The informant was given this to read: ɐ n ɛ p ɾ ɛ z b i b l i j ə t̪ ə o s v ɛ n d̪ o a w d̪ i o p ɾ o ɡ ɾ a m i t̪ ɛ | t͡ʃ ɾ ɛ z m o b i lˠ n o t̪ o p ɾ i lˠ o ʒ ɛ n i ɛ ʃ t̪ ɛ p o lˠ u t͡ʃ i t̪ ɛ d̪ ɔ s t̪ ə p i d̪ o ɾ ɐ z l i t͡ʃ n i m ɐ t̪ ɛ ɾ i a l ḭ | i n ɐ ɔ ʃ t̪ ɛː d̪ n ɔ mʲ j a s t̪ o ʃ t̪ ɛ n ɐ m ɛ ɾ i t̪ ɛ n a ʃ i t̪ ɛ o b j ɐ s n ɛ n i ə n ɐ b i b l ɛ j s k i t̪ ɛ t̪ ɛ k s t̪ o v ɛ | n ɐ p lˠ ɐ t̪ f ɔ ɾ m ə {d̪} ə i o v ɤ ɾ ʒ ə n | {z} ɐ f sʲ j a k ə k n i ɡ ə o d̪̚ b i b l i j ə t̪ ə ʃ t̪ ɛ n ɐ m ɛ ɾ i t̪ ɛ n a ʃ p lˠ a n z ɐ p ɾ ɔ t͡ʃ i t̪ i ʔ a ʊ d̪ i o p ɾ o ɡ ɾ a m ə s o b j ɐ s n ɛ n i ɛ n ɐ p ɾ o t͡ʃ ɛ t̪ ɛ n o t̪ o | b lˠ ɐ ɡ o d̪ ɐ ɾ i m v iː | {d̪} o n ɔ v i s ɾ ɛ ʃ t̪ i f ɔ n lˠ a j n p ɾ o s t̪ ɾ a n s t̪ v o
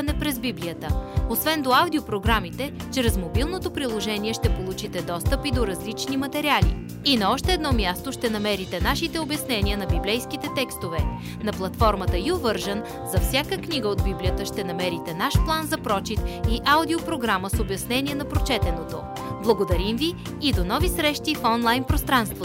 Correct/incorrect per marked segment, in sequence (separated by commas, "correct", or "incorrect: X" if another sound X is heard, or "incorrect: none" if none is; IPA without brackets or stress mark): incorrect: t̪, correct, correct